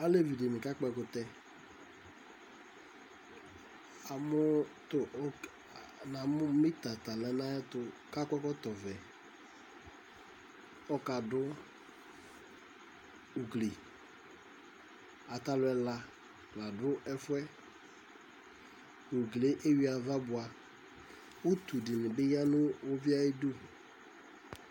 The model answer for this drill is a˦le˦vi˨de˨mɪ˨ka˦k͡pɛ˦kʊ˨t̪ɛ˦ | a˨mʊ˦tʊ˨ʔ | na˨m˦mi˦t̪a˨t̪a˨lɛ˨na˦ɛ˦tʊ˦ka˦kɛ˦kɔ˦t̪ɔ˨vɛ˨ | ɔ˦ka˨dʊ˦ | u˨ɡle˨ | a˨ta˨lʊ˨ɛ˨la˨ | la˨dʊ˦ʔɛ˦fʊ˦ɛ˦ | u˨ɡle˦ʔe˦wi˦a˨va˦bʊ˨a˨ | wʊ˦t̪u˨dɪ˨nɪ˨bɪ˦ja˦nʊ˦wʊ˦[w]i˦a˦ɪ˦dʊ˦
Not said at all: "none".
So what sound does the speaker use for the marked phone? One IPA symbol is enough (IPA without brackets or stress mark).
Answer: v